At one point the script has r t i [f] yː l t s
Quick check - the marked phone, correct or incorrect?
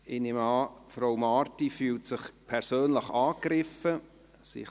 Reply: correct